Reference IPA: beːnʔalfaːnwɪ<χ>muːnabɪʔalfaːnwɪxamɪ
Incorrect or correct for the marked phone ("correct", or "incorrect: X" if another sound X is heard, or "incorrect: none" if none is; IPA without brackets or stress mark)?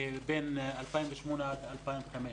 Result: incorrect: ʃ